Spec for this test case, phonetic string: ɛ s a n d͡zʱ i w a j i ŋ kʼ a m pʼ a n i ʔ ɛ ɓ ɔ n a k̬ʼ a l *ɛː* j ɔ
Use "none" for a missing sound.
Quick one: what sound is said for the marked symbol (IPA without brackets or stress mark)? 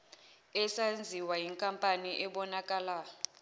aː